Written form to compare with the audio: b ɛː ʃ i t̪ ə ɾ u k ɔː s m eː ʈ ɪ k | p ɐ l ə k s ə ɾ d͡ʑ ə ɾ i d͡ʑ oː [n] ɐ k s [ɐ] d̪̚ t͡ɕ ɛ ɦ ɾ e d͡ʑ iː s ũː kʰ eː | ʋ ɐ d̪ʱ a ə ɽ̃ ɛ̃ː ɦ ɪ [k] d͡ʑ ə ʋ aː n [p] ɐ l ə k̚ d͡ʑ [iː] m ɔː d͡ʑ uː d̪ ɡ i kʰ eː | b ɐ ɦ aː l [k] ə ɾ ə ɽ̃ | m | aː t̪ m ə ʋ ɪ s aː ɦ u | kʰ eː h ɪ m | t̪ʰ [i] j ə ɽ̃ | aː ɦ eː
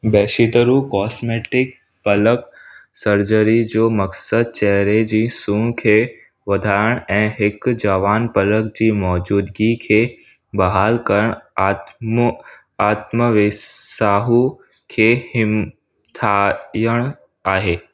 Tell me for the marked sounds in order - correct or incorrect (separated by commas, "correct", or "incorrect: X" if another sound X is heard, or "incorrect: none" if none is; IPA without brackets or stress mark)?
incorrect: m, incorrect: ə, correct, correct, correct, correct, incorrect: a